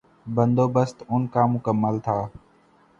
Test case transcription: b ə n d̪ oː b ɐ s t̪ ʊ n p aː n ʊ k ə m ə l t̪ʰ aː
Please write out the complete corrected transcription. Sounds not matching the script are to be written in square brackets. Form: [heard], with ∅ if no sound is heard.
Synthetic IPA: b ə n d̪ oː b [ə] s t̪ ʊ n [k] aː [m] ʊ k ə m ə l t̪ʰ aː